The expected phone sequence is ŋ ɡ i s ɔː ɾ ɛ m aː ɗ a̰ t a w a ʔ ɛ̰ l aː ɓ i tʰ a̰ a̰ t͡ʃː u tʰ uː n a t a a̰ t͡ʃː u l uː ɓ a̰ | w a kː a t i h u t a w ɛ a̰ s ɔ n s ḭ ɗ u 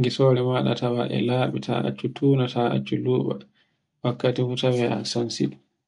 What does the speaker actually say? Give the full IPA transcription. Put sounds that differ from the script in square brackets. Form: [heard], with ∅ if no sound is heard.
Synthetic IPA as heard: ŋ ɡ i s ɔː ɾ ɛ m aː ɗ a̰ t a w a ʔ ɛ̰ l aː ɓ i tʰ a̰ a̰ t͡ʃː u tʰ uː n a t a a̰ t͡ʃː u l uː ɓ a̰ | w a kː a t i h u t a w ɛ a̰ s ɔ n s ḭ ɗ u